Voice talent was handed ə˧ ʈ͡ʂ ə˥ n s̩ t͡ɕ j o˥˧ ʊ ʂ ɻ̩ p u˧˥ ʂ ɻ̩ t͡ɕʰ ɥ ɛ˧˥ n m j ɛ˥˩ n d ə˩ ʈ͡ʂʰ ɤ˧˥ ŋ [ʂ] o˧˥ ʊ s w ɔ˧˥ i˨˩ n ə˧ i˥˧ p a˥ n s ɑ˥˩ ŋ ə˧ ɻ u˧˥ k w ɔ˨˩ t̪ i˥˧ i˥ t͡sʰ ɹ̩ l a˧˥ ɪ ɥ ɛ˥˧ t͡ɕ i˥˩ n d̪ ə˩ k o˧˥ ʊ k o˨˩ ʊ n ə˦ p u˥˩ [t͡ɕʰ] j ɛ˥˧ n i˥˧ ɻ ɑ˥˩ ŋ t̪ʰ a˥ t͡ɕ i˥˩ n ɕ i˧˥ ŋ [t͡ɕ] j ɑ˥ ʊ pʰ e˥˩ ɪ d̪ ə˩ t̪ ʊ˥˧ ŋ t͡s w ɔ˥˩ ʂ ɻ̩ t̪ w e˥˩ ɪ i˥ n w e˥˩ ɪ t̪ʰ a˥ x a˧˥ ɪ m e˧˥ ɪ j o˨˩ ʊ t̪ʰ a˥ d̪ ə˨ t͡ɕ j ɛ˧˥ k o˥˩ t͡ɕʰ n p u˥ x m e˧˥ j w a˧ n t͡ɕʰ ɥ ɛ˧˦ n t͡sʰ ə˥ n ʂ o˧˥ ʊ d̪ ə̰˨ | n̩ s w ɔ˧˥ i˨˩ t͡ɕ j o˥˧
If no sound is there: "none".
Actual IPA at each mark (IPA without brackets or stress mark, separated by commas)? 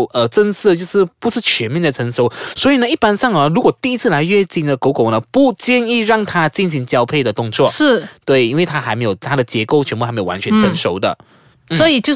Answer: ʂ, t͡ɕ, t͡ɕ